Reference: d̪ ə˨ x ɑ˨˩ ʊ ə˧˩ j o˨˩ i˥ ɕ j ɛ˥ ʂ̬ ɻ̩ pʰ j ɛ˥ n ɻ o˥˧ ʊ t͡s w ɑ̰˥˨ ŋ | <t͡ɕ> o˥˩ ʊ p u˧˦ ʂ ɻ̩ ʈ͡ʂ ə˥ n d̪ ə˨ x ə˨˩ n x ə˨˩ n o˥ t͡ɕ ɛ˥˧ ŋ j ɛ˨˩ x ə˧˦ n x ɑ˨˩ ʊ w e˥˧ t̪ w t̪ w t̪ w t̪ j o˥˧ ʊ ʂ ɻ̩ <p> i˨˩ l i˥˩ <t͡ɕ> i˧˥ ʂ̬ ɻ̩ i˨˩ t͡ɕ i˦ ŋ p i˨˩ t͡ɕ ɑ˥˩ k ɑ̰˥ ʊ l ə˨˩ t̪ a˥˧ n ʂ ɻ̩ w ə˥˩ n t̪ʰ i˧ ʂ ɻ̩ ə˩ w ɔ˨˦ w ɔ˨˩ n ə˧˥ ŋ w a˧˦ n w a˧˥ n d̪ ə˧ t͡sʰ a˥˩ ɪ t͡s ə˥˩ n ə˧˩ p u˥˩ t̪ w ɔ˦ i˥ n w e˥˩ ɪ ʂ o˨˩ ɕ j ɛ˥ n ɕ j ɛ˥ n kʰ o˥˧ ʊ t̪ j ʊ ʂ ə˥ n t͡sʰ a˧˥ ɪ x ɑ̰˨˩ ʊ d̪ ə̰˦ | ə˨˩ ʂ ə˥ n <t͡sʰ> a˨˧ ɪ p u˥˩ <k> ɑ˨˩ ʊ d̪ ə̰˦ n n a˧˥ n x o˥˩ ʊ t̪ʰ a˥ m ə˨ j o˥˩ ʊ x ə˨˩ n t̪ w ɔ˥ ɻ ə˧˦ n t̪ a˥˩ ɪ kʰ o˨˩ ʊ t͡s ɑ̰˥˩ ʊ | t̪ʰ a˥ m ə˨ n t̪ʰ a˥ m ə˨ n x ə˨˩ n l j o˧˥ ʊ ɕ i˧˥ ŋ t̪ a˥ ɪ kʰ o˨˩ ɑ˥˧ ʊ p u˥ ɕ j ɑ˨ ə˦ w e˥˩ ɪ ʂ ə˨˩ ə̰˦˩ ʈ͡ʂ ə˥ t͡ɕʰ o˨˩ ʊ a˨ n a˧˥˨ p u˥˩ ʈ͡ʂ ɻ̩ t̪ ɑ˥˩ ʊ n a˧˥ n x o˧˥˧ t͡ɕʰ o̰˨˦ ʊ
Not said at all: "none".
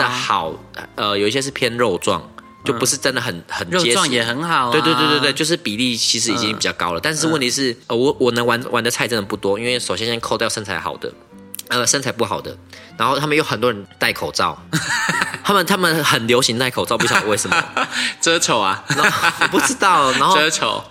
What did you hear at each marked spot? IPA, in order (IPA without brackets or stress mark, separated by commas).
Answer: t͡ɕ, p, t͡ɕʰ, t͡sʰ, x